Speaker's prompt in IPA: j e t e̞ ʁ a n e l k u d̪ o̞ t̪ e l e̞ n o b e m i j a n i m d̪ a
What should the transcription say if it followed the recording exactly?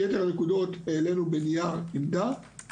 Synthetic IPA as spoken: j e t e̞ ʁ a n e k u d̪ o̞ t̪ e l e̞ n u b e n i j a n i m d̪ a